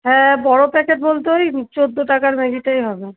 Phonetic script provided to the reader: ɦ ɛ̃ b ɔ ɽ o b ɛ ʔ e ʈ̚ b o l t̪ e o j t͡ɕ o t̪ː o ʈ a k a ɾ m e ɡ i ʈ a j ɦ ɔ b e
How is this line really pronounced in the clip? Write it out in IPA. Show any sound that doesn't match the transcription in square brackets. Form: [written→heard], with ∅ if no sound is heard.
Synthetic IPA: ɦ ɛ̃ b ɔ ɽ o [b→p] ɛ [ʔ→k] e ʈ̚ b o l t̪ e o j t͡ɕ o [t̪ː→d̪ː] o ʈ a k a ɾ m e ɡ i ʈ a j ɦ ɔ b e